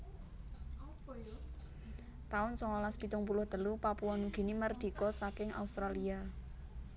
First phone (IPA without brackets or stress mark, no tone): t̪